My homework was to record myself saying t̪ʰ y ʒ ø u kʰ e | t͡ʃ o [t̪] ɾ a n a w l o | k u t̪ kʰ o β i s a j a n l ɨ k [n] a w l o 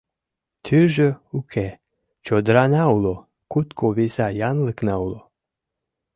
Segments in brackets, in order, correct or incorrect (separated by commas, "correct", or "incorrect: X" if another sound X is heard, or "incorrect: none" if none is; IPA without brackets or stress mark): incorrect: d̪, correct